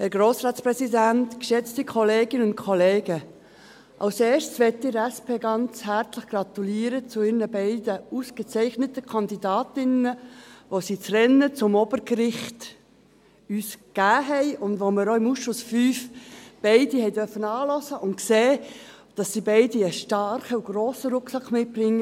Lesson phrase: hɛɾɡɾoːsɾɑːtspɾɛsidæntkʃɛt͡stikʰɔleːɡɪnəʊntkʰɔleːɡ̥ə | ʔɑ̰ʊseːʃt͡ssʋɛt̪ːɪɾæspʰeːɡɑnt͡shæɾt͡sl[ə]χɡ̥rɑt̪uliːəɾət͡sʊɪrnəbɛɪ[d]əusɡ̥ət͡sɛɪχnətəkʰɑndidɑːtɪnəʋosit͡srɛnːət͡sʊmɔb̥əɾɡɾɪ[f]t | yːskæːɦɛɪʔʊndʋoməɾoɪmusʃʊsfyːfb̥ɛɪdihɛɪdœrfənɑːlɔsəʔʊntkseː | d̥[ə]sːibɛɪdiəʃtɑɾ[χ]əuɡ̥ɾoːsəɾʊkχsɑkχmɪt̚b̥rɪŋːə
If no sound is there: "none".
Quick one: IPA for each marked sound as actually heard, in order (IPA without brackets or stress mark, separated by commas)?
ə, d, χ, ɑ, χ